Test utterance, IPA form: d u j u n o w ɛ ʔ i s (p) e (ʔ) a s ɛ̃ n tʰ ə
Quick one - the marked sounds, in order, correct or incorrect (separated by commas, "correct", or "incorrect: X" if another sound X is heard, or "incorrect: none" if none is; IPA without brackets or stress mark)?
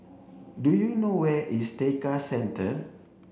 incorrect: t, incorrect: k